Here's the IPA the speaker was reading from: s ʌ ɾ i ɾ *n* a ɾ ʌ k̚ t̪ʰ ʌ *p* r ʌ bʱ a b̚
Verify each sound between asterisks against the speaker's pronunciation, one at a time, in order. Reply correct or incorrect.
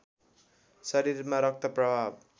incorrect: m, correct

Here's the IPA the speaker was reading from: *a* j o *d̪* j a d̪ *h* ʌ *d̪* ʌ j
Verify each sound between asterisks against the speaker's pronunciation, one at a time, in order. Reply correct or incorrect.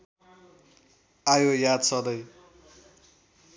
correct, incorrect: none, incorrect: s, correct

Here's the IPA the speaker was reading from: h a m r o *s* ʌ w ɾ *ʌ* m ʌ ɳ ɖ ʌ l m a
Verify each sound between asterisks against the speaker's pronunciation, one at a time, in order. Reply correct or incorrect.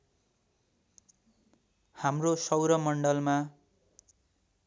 correct, correct

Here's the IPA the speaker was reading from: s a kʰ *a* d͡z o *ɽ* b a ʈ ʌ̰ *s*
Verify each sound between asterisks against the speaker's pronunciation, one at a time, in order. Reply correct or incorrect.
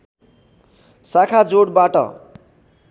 correct, correct, incorrect: none

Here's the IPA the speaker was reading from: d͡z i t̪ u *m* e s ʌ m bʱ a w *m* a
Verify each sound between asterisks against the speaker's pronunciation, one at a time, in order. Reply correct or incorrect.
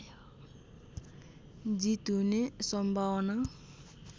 incorrect: n, incorrect: n

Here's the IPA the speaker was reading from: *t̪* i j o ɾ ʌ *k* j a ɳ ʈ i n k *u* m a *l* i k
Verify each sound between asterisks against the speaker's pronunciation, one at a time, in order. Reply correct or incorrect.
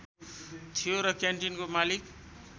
incorrect: t̪ʰ, correct, incorrect: o, correct

